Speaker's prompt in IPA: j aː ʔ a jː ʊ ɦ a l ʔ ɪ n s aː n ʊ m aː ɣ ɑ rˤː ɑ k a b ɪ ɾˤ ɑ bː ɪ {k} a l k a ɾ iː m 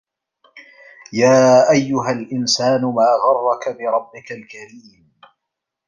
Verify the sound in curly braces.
correct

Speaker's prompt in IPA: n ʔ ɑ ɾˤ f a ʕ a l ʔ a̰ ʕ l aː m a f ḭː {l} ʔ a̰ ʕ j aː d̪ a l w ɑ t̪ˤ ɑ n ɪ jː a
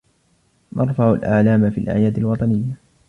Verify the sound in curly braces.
correct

